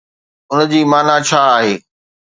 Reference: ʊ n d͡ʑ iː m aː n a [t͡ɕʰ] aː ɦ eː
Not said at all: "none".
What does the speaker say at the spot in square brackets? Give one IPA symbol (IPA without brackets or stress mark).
t͡ɕʰ